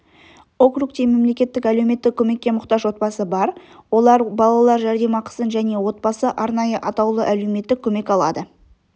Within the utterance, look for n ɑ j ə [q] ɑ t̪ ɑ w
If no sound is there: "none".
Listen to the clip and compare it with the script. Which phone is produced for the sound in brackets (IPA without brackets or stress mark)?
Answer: ʔ